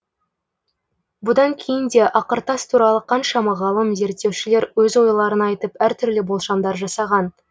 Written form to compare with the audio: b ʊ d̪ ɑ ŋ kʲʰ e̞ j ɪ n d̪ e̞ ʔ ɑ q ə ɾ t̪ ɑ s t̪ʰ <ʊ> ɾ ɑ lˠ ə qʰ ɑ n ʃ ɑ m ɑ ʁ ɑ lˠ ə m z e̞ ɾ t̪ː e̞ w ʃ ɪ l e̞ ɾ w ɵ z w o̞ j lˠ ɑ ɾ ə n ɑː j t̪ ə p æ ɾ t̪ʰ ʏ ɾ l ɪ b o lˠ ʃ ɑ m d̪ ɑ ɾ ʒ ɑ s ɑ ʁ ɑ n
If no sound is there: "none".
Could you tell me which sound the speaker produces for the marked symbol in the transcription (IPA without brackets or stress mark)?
u